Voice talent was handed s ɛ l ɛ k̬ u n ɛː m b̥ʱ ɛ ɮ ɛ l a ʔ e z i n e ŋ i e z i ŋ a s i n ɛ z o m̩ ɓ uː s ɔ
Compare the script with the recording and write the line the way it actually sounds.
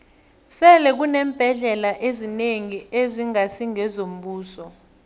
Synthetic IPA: s ɛ l ɛ k̬ u n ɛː m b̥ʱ ɛ ɮ ɛ l a ʔ e z i n e ŋ i e z i ŋ a s i ŋ ɛ z o m̩ ɓ uː s ɔ